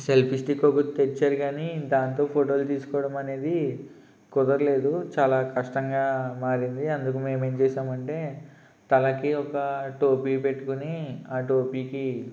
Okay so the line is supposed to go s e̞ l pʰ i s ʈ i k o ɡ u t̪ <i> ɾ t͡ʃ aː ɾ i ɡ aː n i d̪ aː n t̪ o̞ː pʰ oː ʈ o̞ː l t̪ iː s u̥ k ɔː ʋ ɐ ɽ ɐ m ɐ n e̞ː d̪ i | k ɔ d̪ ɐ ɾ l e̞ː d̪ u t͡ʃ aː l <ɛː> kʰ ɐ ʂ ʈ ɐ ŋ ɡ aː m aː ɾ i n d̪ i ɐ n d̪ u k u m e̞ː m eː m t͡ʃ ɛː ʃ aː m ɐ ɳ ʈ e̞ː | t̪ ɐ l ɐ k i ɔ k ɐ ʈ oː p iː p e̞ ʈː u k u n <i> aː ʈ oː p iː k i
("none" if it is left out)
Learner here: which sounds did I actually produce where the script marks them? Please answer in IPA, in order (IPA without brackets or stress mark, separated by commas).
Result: e, aː, i